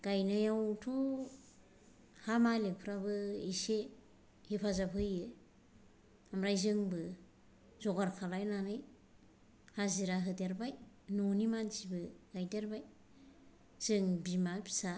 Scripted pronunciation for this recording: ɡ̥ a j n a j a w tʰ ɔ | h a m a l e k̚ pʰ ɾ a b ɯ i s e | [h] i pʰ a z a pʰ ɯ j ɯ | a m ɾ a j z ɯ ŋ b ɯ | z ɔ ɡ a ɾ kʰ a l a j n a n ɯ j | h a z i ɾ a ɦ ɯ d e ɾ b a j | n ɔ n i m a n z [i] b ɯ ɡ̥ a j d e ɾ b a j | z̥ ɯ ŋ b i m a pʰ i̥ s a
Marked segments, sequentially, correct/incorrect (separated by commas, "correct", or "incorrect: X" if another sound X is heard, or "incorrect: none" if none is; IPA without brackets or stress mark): correct, correct